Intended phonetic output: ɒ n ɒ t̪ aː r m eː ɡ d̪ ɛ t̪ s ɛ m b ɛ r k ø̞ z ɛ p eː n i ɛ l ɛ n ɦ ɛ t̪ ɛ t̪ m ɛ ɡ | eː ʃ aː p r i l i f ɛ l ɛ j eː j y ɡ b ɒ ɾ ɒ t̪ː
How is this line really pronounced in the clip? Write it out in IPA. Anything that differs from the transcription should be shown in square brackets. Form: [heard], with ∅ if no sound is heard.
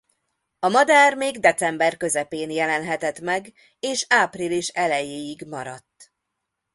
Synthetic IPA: ɒ [m] ɒ [d̪] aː r m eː ɡ d̪ ɛ t̪ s ɛ m b ɛ r k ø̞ z ɛ p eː n [j] ɛ l ɛ n ɦ ɛ t̪ ɛ t̪ m ɛ ɡ | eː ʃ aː p r i l i [ʃ] ɛ l ɛ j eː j [i] ɡ [m] ɒ ɾ ɒ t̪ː